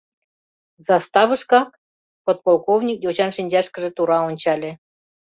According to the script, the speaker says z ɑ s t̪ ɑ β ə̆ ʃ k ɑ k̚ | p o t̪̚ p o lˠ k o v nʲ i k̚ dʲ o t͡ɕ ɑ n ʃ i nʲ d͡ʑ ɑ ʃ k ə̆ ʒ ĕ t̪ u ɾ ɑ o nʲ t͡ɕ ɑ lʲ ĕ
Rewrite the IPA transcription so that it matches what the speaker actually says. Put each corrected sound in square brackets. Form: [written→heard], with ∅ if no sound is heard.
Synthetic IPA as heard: z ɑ s t̪ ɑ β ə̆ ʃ k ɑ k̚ | p o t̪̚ p o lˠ k o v nʲ i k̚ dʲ o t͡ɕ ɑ n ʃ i nʲ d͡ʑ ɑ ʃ k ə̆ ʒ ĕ t̪ u ɾ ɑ o nʲ t͡ɕ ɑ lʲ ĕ